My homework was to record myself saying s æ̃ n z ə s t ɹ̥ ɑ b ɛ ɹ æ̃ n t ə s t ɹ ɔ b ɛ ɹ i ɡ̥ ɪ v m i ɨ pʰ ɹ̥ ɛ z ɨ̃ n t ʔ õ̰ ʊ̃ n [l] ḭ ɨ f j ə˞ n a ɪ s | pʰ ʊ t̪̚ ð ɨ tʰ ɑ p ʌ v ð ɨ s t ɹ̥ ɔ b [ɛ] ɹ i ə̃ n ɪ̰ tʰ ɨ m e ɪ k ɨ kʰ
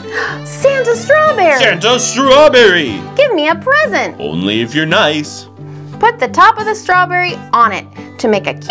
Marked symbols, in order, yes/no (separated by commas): yes, yes